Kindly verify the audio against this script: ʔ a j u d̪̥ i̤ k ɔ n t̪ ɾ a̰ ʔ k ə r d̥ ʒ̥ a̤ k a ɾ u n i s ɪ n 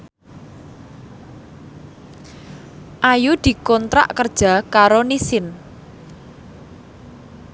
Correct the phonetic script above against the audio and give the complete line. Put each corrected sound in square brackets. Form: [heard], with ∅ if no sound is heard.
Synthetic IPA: ʔ a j u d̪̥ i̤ k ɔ n t̪ ɾ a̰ ʔ k ə r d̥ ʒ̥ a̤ k a ɾ [o] n i s ɪ n